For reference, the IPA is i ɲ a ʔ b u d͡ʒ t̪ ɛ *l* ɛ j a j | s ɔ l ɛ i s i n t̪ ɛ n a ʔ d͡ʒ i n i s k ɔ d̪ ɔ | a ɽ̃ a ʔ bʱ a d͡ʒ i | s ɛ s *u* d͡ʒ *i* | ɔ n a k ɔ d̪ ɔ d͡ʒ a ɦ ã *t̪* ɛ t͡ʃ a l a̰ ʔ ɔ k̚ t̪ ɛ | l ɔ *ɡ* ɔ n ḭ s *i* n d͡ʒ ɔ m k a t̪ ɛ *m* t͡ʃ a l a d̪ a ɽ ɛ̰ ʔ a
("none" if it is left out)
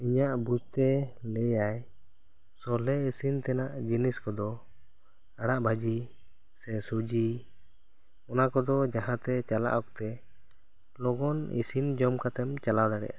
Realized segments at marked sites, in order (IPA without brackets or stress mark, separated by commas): l, u, i, t̪, ɡ, i, m